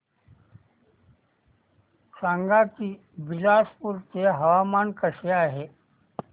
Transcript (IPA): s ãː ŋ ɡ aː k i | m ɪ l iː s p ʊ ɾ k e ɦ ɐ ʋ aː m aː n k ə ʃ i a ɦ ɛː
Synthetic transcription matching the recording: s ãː ŋ ɡ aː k i | b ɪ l aː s p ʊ ɾ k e ɦ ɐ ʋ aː m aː n k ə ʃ j a ɦ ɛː

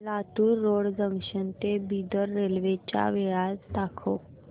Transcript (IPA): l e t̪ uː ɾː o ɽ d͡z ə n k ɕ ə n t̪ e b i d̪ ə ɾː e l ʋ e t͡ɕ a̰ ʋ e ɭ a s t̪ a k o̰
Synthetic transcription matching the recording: l a t̪ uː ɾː o ɽ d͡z ə ŋ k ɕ ə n t̪ e b i d̪ ə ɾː e l ʋ e t͡ɕ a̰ ʋ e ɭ a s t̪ a kʰ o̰

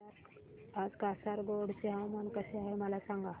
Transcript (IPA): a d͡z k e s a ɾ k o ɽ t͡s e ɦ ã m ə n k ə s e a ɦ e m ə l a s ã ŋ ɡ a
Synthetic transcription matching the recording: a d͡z k a s a ɾ ɡ o ɽ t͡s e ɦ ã m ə n k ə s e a ɦ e m ə l a s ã ŋ ɡ a

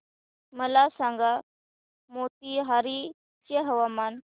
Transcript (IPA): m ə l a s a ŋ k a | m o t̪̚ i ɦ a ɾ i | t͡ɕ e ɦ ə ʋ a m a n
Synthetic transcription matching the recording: m ə l a s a ŋ ɡ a | m o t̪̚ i ɦ a ɾ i | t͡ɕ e ɦ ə ʋ a m a n

